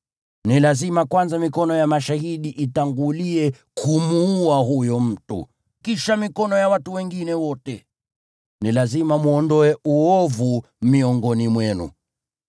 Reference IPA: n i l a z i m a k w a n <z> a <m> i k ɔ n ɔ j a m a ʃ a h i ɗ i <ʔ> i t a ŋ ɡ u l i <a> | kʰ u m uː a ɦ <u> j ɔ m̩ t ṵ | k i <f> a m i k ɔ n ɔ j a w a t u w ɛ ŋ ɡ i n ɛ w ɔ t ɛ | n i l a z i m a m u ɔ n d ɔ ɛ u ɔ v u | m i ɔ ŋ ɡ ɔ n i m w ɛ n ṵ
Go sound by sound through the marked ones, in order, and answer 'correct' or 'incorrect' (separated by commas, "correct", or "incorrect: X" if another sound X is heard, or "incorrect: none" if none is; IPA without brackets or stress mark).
correct, correct, correct, incorrect: ɛ, correct, incorrect: ʃ